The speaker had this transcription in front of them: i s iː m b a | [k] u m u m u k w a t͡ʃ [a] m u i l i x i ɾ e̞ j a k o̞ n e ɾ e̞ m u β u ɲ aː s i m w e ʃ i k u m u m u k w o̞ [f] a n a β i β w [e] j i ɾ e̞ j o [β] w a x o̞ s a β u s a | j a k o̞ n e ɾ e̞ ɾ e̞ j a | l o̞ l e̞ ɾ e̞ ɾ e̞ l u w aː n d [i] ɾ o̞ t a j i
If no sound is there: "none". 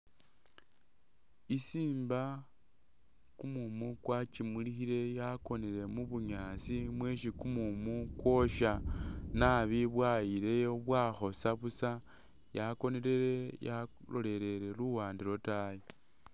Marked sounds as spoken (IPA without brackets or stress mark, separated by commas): k, i, ʃ, a, β, i